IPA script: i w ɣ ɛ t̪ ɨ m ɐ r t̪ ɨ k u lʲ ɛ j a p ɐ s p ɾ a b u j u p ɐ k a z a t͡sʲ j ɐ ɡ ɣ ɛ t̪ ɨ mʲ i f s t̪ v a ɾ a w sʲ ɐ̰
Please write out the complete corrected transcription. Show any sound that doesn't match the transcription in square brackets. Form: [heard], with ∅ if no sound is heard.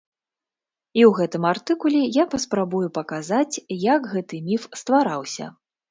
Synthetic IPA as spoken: i w ɣ ɛ t̪ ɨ m [a] r t̪ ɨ k u lʲ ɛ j a p ɐ s p ɾ a b u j u p ɐ k a z a t͡sʲ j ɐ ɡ ɣ ɛ t̪ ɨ mʲ i f s t̪ v a ɾ a w sʲ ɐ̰